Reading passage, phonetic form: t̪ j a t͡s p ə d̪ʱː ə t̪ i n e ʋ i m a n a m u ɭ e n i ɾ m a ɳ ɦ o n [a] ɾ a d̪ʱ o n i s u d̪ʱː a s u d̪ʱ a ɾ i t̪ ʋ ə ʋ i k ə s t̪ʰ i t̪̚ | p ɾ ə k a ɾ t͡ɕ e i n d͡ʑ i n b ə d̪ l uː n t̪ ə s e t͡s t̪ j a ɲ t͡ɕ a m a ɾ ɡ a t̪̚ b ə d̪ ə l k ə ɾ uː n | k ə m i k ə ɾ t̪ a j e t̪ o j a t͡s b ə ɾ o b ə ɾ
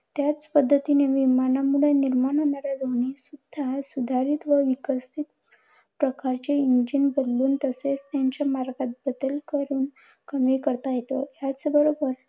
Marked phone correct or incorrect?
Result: correct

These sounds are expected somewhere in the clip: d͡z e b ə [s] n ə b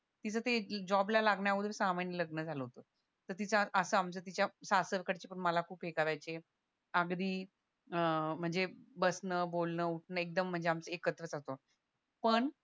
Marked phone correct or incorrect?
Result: correct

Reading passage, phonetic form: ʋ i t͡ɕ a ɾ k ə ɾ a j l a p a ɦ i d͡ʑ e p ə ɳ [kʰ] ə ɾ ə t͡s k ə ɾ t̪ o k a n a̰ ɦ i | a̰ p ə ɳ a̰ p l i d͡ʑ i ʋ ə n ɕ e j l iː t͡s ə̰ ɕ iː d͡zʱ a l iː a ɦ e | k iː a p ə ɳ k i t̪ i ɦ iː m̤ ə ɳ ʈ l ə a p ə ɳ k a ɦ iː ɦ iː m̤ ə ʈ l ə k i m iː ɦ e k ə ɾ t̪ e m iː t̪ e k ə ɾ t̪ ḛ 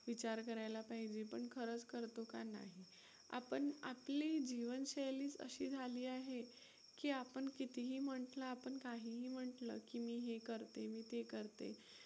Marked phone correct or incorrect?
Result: correct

